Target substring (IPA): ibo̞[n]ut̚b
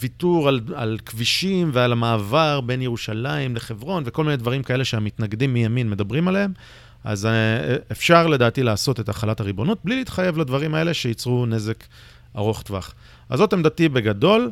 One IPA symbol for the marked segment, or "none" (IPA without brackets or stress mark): n